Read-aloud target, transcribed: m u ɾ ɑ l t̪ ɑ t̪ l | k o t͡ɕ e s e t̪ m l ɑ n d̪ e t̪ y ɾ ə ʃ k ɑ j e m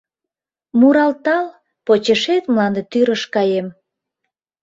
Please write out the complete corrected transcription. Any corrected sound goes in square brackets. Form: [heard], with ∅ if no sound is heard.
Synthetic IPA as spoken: m u ɾ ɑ l t̪ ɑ [∅] l | [p] o t͡ɕ e [ʃ] e t̪ m l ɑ n d̪ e t̪ y ɾ ə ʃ k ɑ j e m

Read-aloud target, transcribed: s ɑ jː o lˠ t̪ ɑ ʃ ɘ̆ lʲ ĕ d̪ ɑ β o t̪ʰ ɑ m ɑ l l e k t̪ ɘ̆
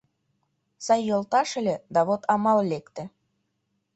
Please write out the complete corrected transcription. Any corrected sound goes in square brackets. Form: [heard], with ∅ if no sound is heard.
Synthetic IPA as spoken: s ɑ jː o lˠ t̪ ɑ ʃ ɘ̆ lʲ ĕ d̪ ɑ β o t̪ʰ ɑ m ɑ l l e k t̪ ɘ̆

